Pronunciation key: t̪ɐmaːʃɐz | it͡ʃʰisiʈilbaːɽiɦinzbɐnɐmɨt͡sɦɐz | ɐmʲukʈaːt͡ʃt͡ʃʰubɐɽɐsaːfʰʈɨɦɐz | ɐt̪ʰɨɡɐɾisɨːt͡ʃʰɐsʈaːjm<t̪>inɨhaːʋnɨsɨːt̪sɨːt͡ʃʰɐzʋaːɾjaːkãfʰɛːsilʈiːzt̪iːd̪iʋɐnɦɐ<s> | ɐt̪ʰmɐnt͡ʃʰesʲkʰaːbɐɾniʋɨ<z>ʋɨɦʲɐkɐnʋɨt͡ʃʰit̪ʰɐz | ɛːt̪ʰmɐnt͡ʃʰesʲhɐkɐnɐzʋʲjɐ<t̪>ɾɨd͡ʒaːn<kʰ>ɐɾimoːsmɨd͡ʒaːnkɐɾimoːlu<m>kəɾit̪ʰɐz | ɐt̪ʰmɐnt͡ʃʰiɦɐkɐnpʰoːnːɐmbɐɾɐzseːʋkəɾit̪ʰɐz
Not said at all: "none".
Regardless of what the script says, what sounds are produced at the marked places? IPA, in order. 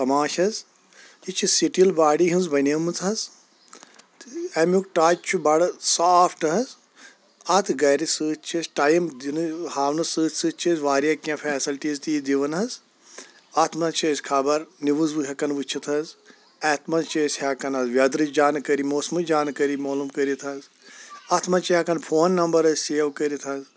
d̪, z, z, d̪, k, m

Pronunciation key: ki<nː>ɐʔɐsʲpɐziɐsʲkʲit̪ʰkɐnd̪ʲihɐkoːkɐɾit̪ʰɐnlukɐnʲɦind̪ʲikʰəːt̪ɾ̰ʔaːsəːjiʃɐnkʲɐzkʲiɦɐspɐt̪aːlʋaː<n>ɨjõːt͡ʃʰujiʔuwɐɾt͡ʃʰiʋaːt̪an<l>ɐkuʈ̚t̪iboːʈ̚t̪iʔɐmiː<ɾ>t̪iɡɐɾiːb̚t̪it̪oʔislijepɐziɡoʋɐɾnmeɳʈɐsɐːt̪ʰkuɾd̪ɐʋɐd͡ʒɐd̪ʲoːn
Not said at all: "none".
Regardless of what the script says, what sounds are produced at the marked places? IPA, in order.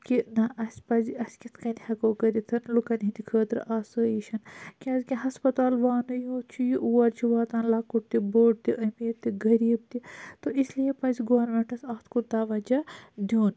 n, n, l, ɾ

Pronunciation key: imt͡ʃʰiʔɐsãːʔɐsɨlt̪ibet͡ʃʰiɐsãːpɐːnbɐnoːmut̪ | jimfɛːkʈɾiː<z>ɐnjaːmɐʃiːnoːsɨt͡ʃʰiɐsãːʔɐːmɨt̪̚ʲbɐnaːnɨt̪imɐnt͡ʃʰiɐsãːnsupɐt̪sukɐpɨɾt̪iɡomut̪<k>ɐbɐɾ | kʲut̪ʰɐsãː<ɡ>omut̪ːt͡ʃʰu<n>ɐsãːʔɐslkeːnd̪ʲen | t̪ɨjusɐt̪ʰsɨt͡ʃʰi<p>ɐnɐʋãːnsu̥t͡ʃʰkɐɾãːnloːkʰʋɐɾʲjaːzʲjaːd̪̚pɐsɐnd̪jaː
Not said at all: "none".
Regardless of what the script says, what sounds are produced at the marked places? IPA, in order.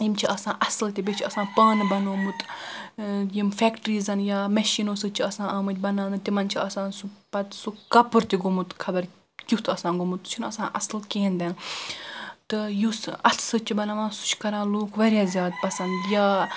z, kʰ, ɡ, n, b

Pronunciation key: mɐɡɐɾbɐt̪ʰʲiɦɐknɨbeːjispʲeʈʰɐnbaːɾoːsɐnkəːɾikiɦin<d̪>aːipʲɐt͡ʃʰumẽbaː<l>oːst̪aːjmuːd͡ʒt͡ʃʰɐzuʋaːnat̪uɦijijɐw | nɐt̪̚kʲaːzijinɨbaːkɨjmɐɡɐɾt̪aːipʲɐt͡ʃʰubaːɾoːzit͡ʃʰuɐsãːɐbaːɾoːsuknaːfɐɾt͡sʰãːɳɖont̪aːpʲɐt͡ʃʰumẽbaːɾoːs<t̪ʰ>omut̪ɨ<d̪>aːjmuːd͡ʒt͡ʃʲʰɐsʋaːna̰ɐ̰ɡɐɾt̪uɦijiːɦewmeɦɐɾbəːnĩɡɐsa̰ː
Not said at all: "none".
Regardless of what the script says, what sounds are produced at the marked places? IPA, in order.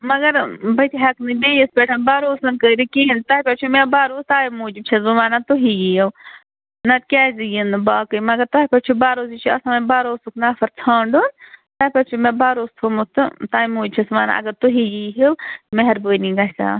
t̪, ɾ, t̪ʰ, t̪

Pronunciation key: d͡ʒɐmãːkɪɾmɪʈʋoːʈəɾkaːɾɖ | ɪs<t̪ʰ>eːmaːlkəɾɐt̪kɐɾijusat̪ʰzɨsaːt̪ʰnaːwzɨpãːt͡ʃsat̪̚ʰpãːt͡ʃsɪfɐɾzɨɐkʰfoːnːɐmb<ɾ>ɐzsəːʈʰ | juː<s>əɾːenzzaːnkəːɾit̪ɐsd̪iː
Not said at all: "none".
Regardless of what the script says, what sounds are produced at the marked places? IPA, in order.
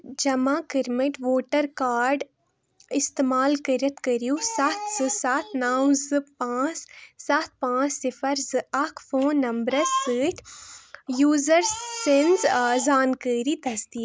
t̪, ɾ, z

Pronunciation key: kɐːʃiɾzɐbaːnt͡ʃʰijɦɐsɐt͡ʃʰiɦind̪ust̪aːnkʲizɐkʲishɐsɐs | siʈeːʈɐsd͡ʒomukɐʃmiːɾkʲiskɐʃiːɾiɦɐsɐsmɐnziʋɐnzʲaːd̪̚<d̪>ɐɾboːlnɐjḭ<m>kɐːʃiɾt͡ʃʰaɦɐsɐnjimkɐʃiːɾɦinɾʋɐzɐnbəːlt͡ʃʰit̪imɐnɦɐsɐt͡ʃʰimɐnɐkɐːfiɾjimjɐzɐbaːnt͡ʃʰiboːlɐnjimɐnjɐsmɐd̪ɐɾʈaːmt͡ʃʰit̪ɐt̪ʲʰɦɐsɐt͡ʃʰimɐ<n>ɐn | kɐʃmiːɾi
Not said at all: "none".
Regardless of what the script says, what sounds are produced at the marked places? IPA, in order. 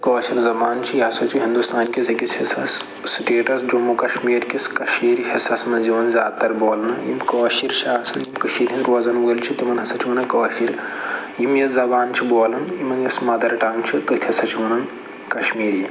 t̪, m, n

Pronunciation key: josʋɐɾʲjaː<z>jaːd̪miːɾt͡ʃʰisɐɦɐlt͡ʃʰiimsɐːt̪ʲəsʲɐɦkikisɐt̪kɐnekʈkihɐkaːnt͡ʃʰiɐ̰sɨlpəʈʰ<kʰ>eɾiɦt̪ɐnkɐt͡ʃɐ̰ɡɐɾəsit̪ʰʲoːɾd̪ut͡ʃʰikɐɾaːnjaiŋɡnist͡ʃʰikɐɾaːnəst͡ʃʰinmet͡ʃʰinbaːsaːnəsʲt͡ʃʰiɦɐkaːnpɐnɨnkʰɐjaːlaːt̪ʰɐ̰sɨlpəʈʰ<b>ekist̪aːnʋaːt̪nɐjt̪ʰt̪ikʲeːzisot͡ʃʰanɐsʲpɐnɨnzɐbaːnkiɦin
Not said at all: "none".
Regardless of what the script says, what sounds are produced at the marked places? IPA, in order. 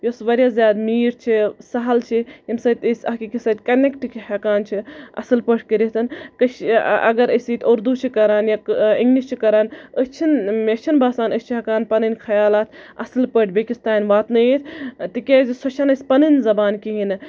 z, k, b

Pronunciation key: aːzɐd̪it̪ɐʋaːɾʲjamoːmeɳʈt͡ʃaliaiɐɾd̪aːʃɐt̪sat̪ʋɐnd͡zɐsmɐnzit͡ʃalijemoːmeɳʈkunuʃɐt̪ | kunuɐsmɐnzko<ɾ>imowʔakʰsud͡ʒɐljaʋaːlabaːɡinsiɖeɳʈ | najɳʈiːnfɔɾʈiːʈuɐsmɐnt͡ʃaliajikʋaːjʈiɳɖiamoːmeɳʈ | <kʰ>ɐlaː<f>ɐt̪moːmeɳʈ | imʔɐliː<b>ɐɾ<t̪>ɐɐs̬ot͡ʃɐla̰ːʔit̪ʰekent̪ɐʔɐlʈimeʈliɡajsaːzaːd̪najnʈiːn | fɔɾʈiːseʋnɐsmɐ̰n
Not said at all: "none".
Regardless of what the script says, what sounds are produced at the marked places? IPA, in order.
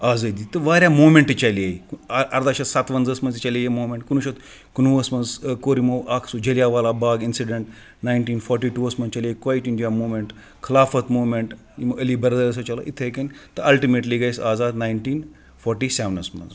ɾ, kʰ, f, b, d̪

